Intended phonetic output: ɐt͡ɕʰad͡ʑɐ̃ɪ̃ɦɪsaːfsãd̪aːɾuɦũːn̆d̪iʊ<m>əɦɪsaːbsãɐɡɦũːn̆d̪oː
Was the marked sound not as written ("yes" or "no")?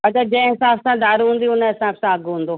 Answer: yes